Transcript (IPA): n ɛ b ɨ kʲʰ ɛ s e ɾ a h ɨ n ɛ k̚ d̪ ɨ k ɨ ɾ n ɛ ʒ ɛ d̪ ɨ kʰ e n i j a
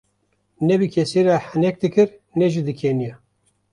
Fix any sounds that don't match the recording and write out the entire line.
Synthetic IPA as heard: n ɛ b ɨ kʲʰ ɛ s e ɾ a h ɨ n ɛ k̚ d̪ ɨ k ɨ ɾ n ɛ ʒ i d̪ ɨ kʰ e n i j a